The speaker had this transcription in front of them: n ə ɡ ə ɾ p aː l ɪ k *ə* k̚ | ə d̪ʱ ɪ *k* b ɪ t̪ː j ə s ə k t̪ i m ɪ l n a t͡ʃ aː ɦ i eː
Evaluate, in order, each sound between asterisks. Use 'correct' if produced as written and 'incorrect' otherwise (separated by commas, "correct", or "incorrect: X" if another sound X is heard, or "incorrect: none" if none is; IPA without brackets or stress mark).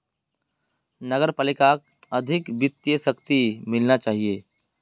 incorrect: a, correct